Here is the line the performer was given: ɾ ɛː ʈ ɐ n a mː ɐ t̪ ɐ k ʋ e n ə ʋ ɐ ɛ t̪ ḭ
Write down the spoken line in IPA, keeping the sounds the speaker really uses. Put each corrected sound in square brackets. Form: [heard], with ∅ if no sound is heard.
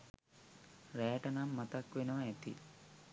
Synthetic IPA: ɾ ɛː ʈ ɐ n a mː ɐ t̪ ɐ k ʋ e n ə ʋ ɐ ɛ t̪ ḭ